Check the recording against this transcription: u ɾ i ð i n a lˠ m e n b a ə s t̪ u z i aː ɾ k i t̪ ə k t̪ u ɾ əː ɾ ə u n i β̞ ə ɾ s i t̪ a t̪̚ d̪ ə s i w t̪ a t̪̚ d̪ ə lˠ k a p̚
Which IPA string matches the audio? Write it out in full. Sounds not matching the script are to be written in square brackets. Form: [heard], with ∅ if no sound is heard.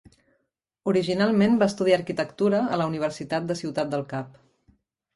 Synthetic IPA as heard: u ɾ i [ʒ] i n a lˠ m e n b a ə s t̪ u [ð] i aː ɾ k i t̪ ə k t̪ u ɾ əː [l] ə u n i β̞ ə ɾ s i t̪ a t̪̚ d̪ ə s i w t̪ a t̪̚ d̪ ə lˠ k a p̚